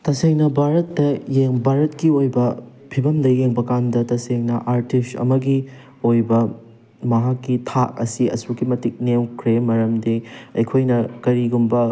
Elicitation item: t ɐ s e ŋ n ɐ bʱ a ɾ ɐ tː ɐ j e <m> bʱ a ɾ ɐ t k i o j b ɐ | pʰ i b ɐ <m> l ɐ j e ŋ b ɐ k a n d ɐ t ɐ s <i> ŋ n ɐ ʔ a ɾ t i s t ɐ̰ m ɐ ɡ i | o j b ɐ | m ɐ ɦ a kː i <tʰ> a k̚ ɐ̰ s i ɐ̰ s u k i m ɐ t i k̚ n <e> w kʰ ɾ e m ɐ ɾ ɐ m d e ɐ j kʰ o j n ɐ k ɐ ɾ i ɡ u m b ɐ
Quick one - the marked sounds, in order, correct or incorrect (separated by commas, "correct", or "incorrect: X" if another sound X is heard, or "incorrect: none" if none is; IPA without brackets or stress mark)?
incorrect: ŋ, correct, incorrect: e, correct, correct